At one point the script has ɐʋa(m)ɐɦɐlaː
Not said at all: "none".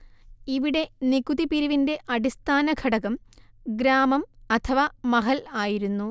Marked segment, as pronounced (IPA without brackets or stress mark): m